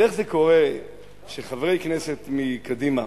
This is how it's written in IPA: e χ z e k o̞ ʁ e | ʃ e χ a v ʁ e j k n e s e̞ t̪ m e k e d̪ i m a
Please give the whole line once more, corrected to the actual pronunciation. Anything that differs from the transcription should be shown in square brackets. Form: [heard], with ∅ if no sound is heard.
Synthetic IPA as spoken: e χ z e k o̞ ʁ e | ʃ e χ a v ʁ e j k n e s e̞ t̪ m [i] k [a] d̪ i m a